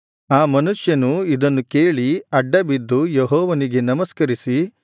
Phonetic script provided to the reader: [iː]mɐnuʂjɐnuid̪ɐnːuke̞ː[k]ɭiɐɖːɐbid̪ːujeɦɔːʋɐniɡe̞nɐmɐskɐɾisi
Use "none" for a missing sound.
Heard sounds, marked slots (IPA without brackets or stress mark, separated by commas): aː, none